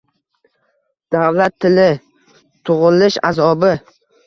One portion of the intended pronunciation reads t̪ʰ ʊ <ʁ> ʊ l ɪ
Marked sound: correct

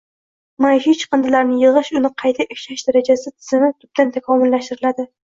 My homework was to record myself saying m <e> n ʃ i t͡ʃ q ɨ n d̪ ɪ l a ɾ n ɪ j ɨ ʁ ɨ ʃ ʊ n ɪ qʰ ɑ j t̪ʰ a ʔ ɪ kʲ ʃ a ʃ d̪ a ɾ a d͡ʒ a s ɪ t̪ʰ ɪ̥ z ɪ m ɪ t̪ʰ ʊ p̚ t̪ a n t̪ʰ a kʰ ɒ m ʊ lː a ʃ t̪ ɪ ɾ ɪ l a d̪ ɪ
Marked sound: incorrect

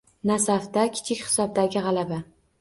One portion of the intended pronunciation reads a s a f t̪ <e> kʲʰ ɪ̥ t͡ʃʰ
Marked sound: incorrect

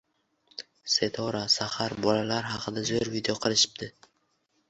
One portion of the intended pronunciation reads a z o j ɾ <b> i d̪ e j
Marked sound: incorrect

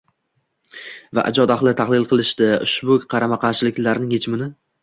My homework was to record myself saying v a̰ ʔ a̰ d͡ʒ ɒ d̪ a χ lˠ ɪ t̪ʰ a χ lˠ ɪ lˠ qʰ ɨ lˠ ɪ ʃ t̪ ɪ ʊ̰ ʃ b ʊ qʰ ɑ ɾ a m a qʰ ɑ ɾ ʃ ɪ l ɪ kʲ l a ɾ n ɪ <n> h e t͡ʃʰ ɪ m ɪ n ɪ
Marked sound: incorrect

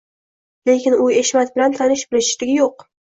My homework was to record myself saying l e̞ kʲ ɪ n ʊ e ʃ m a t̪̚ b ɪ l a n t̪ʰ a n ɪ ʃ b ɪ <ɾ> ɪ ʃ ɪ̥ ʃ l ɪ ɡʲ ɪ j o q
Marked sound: incorrect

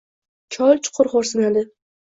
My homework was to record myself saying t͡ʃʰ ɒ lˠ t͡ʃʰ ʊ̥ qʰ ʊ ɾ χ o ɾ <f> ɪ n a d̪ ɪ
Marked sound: incorrect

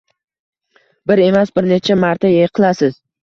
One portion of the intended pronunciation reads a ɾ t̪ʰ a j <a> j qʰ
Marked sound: incorrect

